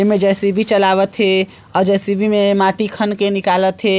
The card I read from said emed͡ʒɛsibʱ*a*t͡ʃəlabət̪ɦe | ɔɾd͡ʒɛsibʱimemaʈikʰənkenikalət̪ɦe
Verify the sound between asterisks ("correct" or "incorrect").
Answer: incorrect